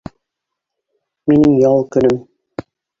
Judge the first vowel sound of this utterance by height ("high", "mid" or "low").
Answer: high